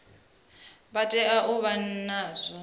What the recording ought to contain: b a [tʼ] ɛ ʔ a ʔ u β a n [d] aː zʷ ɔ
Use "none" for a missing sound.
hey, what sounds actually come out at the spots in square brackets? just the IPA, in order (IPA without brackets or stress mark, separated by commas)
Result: tʼ, n